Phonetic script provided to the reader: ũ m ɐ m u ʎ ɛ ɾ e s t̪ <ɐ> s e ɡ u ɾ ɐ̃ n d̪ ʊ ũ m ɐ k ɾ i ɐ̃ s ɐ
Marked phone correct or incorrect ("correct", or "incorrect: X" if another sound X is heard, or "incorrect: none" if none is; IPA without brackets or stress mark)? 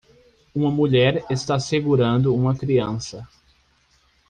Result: incorrect: a